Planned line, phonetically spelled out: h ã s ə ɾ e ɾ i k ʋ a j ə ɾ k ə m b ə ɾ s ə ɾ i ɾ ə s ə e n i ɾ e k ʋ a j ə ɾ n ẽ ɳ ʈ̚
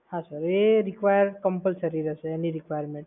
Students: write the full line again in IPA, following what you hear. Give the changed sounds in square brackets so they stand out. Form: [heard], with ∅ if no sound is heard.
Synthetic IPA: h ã s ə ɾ e ɾ i k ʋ a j ə ɾ k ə m [p] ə [l] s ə ɾ i ɾ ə s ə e n i ɾ [i] k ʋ a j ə ɾ [m] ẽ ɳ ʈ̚